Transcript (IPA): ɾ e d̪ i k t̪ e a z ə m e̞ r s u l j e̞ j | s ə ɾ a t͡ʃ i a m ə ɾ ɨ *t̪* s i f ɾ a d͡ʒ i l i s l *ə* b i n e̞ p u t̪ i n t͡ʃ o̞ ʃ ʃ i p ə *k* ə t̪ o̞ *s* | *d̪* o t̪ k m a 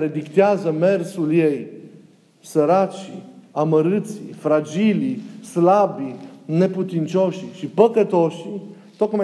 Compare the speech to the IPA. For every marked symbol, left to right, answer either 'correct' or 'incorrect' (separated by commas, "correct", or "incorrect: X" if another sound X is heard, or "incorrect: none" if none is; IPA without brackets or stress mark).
correct, incorrect: a, correct, incorrect: ʃ, incorrect: t̪